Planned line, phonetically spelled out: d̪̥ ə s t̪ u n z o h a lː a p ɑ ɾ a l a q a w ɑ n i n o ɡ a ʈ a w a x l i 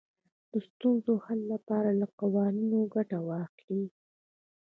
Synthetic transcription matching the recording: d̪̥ ə s t̪ u n z o h a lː a p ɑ ɾ a l a q a w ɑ n i n o ɡ a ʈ a w ɑ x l i